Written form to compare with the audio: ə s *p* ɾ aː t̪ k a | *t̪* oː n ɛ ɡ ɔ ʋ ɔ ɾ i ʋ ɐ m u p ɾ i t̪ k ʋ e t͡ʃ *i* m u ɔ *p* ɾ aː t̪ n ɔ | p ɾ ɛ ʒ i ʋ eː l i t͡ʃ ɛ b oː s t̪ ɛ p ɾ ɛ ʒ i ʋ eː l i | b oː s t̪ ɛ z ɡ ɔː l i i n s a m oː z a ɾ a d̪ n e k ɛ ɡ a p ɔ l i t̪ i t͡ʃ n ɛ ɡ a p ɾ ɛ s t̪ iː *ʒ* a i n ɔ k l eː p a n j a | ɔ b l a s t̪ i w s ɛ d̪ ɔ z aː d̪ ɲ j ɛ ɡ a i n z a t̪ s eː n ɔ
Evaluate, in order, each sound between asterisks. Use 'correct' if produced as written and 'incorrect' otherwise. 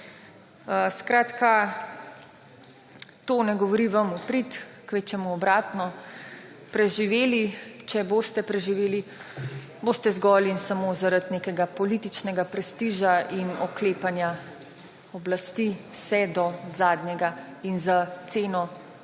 incorrect, correct, incorrect, incorrect, correct

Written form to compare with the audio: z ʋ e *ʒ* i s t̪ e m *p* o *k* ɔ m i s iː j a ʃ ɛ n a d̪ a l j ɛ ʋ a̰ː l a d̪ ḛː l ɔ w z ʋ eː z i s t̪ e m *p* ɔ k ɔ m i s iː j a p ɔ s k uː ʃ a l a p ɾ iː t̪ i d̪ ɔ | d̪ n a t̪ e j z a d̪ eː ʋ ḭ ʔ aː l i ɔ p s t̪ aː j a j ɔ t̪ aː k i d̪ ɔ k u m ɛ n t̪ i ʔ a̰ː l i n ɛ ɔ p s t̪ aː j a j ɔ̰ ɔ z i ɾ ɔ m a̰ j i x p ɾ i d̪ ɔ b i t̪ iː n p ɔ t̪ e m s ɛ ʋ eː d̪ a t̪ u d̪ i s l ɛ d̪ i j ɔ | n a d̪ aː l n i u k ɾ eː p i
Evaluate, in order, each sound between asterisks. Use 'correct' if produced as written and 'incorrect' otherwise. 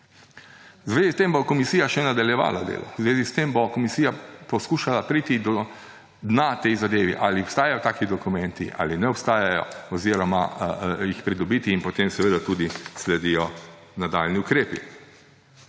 incorrect, incorrect, correct, incorrect

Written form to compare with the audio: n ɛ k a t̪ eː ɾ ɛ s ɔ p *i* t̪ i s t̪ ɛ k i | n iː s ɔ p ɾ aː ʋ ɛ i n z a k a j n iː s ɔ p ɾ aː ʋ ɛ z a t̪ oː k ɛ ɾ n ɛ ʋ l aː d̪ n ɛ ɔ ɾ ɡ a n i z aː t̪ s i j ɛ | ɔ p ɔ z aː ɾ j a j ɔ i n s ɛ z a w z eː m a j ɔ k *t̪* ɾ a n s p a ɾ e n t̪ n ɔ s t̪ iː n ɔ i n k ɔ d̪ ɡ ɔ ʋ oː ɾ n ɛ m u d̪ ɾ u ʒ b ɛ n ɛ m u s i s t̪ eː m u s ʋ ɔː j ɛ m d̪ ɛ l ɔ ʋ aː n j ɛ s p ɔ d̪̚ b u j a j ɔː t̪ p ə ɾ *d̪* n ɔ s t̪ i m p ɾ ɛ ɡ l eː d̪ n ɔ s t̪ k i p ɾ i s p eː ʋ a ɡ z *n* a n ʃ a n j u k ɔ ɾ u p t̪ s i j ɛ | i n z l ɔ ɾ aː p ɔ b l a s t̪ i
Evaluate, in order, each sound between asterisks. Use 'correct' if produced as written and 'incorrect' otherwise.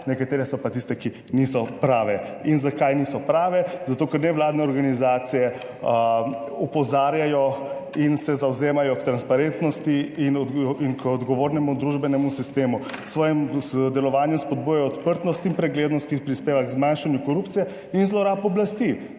incorrect, correct, incorrect, incorrect

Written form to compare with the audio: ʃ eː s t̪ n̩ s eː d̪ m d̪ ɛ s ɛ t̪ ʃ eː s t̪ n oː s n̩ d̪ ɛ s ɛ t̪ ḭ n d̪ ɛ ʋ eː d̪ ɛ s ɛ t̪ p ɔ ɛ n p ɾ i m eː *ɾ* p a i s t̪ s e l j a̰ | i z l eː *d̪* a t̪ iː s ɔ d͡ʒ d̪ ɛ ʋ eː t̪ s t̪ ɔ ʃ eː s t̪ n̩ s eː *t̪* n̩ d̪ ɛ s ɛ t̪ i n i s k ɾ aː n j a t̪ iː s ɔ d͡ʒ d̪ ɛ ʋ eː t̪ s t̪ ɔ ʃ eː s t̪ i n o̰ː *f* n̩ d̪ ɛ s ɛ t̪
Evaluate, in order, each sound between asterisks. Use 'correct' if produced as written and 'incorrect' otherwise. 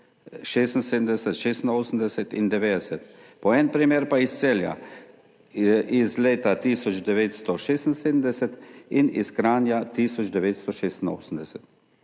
correct, incorrect, incorrect, incorrect

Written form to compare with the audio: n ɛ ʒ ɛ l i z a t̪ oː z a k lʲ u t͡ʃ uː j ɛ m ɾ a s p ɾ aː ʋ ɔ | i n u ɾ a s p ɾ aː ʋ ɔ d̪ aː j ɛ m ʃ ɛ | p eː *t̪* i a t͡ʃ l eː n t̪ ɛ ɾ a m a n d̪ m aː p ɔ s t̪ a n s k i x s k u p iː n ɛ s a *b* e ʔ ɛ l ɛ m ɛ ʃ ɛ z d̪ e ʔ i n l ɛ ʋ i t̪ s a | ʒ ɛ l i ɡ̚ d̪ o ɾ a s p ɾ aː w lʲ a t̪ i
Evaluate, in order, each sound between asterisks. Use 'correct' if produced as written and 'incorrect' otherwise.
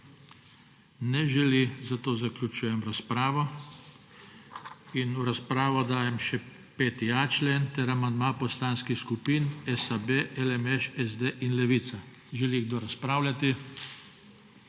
correct, correct

